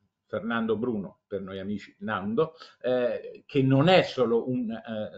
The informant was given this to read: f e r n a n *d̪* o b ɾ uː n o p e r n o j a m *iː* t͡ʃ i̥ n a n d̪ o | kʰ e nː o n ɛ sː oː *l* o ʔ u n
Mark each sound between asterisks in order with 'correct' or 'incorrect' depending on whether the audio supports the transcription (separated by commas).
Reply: correct, correct, correct